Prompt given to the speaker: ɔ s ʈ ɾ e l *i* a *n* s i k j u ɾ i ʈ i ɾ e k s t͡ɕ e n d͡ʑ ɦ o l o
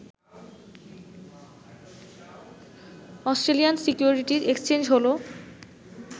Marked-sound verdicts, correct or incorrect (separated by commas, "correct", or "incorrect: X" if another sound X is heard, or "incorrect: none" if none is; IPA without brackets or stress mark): correct, correct